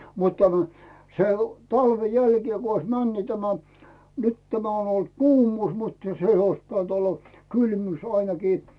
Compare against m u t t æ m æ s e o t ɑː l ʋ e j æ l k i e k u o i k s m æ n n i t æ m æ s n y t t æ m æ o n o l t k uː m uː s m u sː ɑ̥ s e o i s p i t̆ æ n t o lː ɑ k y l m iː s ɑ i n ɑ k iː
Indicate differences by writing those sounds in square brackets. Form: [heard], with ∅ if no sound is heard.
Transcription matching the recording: m u t t æ m æ s e o t [ɑ] l ʋ e j æ l k i e k u o i [∅] s m æ n n i t æ m æ [∅] n y t t æ m æ o n o l t k uː m uː s m u [tː] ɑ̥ s e o i s p i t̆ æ n t o lː ɑ k y l m [yː] s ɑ i n ɑ k iː